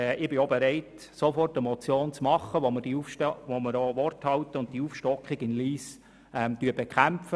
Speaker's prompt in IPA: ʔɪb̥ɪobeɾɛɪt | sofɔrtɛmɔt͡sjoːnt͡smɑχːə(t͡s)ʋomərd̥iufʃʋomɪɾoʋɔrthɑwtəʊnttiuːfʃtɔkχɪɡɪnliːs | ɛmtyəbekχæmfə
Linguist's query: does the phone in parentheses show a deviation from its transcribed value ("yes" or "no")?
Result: yes